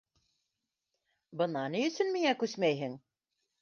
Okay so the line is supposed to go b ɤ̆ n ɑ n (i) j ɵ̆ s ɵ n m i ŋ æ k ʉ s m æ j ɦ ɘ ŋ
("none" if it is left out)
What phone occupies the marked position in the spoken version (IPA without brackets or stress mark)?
i